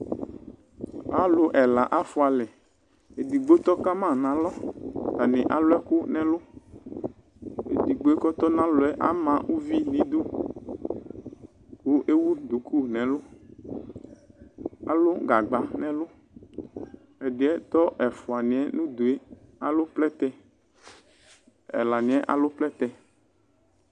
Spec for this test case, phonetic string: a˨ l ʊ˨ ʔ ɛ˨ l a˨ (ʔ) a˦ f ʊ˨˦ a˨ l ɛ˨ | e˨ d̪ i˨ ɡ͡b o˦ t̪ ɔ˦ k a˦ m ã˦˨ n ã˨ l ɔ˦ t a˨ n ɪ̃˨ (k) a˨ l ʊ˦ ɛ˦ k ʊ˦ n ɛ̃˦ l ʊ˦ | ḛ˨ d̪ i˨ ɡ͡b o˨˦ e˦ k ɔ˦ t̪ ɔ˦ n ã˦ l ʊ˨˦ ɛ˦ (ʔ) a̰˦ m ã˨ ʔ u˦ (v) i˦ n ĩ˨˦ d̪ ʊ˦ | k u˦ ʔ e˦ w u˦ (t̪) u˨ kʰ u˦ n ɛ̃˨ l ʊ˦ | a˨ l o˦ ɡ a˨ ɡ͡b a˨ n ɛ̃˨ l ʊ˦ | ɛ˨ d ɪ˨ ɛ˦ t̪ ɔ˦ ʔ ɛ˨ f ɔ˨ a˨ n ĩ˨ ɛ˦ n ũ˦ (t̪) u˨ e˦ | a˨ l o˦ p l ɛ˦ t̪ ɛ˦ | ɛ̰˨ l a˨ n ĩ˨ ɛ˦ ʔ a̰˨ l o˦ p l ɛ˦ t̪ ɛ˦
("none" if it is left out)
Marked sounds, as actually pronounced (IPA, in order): ʔ, ʔ, ʔ, v, d̪, d̪

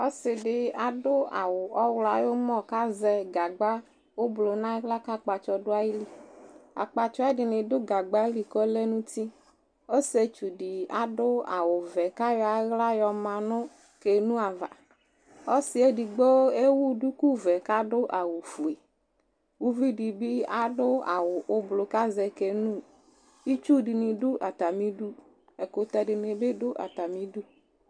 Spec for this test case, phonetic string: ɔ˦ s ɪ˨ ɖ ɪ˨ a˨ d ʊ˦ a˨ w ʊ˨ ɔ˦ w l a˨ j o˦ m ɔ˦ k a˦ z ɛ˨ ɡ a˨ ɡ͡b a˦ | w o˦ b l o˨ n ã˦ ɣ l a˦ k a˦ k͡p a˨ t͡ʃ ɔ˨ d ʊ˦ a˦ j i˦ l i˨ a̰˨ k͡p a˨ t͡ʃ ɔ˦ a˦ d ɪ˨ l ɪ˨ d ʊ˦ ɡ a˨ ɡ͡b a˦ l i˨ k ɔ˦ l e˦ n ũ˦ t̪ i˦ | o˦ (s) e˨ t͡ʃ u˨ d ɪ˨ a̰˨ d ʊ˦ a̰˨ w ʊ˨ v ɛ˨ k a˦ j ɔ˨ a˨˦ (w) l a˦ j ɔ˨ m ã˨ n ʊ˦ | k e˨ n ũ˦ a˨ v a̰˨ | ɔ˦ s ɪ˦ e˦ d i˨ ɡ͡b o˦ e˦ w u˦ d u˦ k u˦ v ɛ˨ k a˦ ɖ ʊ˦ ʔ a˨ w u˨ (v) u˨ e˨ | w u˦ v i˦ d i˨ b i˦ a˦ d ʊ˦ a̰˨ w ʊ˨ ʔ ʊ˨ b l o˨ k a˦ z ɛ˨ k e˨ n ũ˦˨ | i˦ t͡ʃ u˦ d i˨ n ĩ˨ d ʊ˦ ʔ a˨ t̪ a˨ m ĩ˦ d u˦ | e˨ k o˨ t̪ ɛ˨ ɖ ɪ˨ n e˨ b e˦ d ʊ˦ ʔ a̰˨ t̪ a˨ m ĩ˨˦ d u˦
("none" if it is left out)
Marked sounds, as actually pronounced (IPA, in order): s, ɣ, f

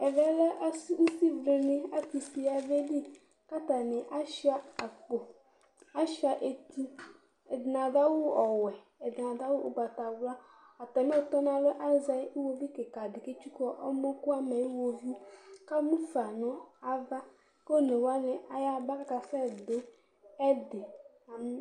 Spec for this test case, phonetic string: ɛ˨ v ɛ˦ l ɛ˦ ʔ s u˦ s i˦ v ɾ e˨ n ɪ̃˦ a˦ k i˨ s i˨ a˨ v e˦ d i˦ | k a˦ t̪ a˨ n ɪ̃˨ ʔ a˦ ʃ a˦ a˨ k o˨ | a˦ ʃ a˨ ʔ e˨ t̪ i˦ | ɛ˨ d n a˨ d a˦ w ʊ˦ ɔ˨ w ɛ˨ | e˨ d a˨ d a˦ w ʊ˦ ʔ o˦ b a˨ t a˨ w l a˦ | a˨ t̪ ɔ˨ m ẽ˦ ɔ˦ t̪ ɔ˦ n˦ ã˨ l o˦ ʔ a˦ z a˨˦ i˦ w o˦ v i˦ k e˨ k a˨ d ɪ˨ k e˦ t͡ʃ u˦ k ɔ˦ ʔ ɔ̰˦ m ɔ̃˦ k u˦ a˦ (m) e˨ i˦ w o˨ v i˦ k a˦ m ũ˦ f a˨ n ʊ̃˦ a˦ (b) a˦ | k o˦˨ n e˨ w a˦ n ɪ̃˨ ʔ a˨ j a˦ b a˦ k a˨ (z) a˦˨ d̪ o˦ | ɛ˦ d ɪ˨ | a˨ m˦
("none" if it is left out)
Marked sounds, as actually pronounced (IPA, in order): m, v, s

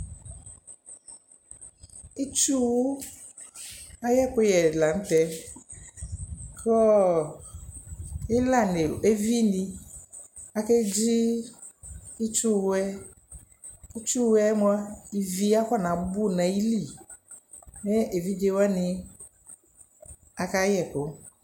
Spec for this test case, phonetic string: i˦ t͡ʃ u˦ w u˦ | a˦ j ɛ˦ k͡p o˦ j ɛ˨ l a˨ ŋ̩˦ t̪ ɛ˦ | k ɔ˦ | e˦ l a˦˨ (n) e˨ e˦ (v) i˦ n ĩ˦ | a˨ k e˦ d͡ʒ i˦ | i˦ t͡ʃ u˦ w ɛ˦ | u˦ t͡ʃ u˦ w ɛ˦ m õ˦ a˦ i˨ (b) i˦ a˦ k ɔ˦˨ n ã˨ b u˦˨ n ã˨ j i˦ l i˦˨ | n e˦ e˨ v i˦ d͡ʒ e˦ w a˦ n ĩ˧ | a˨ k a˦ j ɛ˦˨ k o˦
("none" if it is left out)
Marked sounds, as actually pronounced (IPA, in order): n, v, v

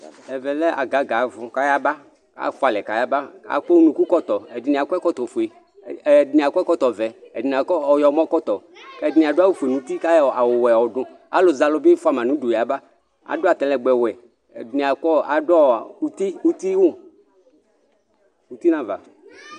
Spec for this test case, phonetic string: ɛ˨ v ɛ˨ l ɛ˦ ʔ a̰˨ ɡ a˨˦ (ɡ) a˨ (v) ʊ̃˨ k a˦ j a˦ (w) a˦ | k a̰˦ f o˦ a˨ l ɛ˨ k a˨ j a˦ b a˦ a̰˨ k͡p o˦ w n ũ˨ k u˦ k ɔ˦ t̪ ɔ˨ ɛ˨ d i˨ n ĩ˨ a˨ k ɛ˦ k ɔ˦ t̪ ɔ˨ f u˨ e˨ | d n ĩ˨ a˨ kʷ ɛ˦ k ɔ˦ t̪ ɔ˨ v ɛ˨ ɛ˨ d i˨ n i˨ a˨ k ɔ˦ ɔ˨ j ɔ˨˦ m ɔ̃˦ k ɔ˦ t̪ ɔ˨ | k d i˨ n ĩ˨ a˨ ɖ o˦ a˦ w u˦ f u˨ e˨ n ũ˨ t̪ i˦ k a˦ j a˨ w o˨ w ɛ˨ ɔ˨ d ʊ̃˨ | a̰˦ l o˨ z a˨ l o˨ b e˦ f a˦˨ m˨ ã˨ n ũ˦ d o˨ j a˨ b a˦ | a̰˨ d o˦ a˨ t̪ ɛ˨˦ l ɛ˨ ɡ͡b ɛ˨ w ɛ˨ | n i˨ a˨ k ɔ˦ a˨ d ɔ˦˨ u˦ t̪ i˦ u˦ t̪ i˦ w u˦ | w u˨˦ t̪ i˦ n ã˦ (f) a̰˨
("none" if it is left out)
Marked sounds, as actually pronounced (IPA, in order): ɡ, v, b, v

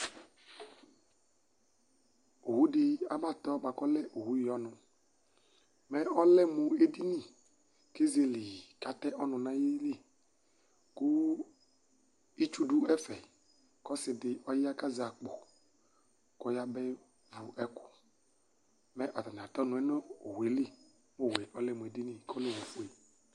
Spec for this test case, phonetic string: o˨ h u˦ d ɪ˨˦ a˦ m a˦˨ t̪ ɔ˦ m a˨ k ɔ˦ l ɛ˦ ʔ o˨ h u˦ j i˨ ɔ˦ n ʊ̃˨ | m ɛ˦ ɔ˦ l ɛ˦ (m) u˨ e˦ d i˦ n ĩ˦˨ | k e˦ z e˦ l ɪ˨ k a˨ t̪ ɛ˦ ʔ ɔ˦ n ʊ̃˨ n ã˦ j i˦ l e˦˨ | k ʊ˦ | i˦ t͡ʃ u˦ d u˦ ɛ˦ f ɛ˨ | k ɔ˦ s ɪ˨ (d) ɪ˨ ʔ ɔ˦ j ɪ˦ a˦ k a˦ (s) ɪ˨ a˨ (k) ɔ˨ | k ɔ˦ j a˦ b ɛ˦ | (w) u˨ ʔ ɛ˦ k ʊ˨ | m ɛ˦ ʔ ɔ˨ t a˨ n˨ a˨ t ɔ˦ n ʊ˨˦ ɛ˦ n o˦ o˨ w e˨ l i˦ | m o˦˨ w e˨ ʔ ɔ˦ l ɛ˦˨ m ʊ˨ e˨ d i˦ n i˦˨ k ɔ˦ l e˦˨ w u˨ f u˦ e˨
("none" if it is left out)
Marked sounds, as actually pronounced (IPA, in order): m, d, z, k͡p, v

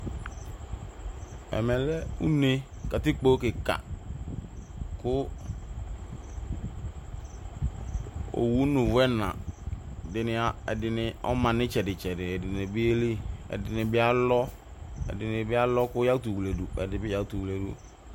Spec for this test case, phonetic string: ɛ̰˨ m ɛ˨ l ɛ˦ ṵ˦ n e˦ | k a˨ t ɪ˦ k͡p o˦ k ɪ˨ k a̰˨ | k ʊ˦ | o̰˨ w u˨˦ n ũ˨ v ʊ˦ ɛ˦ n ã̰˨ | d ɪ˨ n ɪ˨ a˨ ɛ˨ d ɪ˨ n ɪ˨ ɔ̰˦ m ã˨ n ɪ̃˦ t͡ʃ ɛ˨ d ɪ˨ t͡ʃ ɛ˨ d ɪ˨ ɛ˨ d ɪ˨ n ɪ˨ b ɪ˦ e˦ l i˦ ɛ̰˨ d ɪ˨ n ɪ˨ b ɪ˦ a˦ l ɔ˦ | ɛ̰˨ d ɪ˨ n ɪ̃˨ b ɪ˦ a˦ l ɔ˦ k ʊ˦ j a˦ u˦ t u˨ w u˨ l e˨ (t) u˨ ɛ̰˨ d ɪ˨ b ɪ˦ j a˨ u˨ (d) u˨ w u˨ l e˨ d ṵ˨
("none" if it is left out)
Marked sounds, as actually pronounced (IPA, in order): d, t

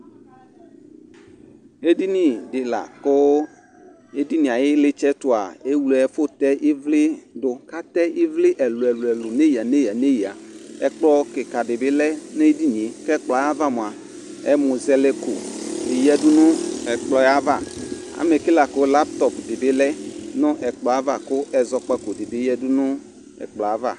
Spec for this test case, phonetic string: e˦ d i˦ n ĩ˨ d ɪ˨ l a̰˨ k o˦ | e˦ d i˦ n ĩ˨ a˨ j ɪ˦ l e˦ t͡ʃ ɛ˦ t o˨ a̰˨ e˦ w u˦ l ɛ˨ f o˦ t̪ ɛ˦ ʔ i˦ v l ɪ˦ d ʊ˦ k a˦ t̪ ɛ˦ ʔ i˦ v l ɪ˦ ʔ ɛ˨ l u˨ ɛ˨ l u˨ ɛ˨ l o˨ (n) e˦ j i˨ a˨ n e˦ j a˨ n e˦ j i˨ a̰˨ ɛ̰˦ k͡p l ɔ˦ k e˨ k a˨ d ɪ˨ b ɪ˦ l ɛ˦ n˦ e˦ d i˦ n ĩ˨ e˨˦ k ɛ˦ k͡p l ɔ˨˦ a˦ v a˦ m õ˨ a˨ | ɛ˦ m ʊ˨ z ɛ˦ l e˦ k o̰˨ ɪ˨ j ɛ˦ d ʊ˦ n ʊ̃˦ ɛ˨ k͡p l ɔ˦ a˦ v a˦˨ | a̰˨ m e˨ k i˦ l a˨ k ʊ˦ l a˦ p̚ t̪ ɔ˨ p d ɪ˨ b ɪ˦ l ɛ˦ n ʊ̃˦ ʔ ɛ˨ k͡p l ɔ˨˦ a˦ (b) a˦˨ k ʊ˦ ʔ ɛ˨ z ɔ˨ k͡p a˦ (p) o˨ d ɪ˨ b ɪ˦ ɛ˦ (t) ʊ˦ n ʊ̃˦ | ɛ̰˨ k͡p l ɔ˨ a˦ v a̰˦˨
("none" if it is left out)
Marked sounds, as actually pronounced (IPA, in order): n, v, k, d

